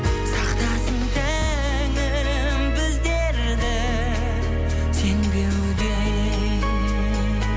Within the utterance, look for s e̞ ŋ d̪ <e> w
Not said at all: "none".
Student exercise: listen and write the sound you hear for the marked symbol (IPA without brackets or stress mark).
e